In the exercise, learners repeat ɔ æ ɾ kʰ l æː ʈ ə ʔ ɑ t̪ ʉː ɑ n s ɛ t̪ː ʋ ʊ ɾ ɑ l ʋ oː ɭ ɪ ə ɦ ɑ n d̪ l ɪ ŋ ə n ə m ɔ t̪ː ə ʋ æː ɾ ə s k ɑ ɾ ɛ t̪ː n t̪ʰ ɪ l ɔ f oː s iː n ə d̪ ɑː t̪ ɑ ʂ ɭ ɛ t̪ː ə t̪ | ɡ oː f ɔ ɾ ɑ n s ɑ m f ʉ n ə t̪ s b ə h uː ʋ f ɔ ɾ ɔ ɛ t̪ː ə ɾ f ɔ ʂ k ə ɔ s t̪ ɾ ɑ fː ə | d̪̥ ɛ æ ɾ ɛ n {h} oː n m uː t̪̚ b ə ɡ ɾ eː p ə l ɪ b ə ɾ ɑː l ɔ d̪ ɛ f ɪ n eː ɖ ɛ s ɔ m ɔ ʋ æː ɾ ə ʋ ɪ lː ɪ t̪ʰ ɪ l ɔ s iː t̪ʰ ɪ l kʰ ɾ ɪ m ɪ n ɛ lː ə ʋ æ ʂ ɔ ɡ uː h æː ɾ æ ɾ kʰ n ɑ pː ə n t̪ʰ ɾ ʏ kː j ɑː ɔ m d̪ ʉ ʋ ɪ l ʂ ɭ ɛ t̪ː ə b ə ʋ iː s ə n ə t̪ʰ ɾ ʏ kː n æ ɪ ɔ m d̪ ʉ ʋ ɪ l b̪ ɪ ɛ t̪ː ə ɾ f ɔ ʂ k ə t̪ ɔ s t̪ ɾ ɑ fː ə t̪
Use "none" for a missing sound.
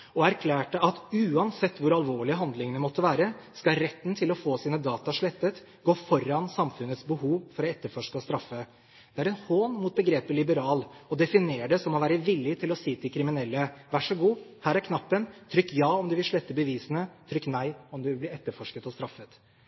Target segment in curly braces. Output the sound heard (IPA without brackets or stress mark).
h